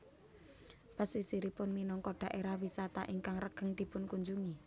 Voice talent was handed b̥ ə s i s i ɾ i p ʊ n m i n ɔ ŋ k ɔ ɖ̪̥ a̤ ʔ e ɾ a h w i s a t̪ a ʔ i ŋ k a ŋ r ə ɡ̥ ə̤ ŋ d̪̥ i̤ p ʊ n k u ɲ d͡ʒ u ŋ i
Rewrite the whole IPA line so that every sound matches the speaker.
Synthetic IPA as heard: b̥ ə s i s i ɾ i p ʊ n m i n ɔ ŋ k ɔ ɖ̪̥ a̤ ʔ e ɾ a h w i s a t̪ a ʔ i ŋ k a ŋ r ə ɡ̥ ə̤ ŋ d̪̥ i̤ p ʊ n k u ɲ d͡ʒ u ŋ i